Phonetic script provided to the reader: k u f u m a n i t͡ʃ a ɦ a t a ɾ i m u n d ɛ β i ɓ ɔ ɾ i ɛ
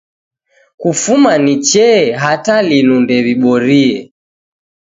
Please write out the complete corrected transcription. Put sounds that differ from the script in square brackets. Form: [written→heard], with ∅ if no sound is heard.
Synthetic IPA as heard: k u f u m a n i t͡ʃ [a→ɛ] ɦ a t a [ɾ→l] i [m→n] u n d ɛ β i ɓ ɔ ɾ i ɛ